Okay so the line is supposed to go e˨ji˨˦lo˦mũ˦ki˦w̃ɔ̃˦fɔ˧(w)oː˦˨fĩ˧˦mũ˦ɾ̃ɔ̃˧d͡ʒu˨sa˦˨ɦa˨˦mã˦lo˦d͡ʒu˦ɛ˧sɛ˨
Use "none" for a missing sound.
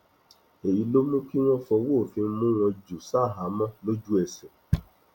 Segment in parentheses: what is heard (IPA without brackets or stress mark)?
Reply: w